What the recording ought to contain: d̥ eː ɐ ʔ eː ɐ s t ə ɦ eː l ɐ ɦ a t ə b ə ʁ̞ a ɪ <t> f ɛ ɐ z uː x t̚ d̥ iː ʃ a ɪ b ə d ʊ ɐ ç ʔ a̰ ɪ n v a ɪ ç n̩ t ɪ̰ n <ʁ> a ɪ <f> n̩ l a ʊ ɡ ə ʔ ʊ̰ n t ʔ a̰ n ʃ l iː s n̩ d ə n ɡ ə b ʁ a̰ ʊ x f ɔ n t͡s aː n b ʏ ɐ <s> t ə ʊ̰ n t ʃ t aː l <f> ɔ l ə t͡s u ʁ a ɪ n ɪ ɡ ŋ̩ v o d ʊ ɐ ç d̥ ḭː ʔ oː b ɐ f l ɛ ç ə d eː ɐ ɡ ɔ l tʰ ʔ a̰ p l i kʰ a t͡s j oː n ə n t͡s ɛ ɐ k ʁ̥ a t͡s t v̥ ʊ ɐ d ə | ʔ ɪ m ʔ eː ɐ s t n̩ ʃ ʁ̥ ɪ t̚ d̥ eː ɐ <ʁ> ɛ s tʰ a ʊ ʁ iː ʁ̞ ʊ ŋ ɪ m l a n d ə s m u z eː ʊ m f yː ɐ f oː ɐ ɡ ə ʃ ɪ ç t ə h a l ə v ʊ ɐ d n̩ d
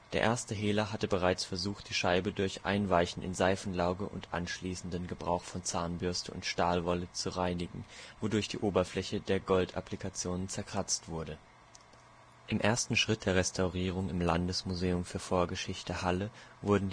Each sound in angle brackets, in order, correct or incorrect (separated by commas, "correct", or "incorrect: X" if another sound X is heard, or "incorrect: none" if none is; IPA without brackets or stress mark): incorrect: t͡s, incorrect: z, correct, correct, incorrect: v, correct